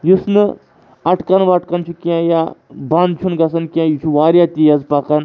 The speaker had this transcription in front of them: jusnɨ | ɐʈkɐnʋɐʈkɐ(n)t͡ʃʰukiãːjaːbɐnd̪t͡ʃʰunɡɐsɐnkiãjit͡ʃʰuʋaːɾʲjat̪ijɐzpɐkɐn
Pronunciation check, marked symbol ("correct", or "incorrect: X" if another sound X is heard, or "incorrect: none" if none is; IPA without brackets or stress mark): correct